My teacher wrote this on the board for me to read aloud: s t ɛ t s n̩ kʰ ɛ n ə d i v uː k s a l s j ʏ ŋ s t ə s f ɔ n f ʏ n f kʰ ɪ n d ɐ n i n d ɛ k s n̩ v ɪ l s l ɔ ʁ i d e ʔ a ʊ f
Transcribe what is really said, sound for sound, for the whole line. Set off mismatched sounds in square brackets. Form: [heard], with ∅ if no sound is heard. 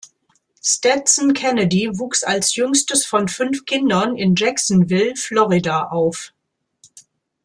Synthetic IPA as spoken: s t ɛ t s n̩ kʰ ɛ n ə d i v uː k s a l s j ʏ ŋ s t ə s f ɔ n f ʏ n f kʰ ɪ n d ɐ n [ɪ] n [d͡ʒ] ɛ k s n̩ v ɪ l [f] l ɔ ʁ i d [a] ʔ a ʊ f